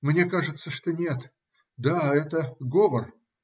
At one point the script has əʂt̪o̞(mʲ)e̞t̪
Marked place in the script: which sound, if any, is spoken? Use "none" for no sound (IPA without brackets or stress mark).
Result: nʲ